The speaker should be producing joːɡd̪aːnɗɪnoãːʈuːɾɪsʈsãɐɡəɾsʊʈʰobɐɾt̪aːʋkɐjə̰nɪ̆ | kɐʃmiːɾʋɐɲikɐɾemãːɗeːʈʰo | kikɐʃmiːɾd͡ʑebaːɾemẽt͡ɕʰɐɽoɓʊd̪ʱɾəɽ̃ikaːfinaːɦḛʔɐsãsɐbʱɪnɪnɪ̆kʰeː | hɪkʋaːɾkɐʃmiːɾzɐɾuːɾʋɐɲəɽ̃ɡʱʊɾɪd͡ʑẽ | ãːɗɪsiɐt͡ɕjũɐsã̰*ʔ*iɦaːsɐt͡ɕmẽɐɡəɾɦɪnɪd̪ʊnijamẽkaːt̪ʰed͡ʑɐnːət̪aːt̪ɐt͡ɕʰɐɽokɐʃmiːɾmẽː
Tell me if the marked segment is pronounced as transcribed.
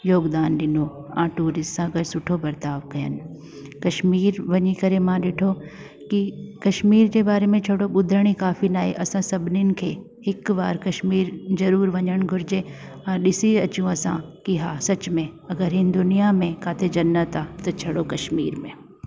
no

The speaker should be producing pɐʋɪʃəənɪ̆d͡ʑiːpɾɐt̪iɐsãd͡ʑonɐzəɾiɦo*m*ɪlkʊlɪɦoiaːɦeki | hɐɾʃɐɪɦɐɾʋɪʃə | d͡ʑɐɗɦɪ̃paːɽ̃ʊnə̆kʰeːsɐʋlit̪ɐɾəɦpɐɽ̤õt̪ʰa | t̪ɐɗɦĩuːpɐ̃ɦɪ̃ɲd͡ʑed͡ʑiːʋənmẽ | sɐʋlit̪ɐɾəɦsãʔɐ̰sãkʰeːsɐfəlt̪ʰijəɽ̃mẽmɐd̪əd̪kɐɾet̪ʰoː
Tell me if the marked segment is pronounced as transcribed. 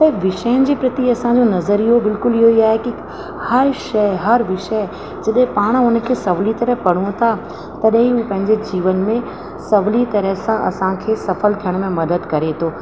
no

